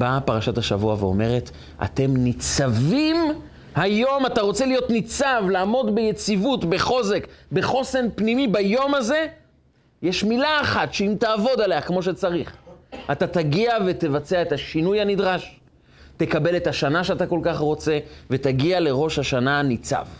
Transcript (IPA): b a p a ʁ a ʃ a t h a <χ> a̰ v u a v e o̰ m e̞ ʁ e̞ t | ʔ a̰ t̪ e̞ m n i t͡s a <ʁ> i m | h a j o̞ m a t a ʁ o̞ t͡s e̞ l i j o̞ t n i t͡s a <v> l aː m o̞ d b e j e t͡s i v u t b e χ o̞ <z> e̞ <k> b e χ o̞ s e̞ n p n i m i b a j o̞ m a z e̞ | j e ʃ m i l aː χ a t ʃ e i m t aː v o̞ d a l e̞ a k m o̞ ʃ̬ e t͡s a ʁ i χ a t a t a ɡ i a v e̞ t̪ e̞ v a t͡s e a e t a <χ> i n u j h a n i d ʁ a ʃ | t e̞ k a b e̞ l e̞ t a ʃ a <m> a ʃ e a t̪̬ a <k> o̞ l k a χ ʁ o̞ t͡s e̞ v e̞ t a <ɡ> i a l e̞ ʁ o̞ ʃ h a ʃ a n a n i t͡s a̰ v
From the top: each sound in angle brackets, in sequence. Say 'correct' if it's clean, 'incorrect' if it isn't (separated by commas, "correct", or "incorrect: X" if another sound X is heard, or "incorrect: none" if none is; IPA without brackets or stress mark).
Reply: incorrect: ʃ, incorrect: v, correct, correct, correct, incorrect: ʃ, incorrect: n, correct, correct